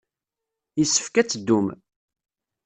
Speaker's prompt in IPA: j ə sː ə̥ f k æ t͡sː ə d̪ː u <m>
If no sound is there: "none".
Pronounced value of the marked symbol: m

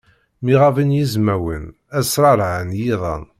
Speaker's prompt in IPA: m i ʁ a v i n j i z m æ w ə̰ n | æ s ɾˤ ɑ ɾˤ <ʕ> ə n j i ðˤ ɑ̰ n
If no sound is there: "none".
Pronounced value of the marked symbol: ʕ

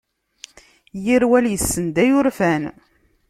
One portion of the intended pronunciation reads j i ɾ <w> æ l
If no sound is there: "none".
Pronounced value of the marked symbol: w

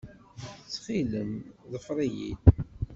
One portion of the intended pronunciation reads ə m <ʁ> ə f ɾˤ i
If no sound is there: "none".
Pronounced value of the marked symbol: ð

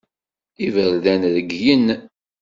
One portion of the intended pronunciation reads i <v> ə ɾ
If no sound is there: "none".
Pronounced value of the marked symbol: v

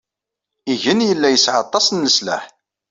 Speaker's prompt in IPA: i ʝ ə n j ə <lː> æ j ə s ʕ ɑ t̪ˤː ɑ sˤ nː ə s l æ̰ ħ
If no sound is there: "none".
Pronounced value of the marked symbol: lː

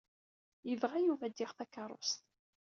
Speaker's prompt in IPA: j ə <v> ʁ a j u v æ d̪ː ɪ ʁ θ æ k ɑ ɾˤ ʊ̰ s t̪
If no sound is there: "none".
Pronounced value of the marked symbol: v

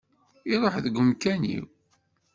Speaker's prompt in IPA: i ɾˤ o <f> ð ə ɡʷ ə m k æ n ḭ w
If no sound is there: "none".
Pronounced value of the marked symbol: ħ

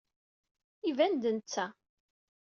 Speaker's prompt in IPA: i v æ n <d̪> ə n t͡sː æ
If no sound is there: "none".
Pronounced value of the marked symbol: d̪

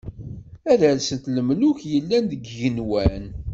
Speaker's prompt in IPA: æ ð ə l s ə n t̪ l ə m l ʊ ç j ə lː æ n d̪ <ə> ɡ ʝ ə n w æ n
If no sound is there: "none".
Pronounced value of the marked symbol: ə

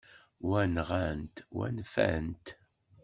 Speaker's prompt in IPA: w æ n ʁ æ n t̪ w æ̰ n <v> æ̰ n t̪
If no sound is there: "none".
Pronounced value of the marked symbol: f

